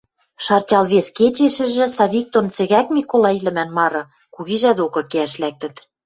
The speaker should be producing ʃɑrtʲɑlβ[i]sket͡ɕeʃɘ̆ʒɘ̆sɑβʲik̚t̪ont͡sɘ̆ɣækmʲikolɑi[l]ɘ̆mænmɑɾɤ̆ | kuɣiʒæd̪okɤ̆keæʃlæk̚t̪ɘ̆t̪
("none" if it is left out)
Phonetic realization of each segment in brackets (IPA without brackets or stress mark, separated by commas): e, l